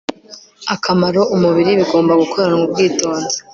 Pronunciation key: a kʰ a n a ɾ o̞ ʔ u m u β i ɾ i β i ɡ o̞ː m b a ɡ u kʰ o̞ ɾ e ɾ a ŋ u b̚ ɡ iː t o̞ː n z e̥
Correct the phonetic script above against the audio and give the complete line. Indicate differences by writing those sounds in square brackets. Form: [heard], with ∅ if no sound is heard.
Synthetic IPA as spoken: a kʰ a [m] a ɾ o̞ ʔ u m u β i ɾ i β i ɡ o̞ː m b a ɡ u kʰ o̞ ɾ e ɾ a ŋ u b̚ ɡ iː t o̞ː n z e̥